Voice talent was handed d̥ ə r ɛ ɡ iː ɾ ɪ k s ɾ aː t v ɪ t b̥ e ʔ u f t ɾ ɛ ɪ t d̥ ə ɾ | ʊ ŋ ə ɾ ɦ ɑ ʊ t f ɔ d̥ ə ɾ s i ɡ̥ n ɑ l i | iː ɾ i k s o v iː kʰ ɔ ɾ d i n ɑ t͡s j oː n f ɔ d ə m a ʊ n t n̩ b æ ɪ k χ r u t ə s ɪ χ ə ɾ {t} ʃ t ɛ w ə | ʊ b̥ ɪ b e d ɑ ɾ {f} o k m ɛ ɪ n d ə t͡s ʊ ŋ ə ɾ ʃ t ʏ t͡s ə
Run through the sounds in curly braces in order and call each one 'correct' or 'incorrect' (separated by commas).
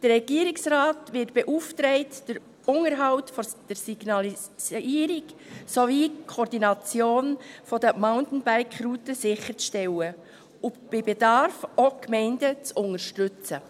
incorrect, correct